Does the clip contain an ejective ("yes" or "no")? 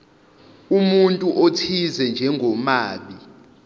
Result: yes